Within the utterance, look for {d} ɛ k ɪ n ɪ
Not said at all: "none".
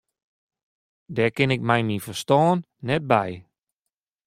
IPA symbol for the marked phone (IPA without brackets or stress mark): d